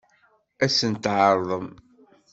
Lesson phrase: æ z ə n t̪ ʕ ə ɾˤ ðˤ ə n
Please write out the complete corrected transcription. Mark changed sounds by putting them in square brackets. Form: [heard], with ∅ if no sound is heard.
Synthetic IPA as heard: æ [s] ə n t̪ ʕ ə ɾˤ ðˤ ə [m]

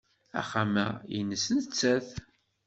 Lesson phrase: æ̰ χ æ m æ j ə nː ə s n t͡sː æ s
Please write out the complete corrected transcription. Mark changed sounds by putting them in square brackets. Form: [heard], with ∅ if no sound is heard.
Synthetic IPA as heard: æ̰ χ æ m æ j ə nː ə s n t͡sː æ [θ]

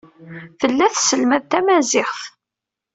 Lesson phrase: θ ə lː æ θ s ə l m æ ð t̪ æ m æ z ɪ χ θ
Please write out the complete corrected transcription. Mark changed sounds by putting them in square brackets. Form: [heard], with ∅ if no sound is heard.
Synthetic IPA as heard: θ ə lː æ θ s ə l m æ ð t̪ æ m æ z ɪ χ θ

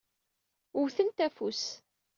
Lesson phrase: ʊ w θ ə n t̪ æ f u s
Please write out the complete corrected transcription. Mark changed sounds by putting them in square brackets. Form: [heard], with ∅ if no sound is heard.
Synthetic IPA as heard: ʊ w θ ə n t̪ æ f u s

